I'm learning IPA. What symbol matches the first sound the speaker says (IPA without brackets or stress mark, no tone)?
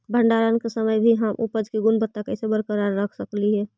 bʱ